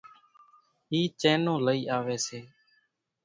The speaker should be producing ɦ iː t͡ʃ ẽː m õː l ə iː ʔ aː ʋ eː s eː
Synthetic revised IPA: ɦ iː t͡ʃ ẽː n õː l ə iː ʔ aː ʋ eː s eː